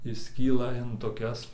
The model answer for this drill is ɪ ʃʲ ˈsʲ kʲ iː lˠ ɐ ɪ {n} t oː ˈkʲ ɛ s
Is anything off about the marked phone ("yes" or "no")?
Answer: no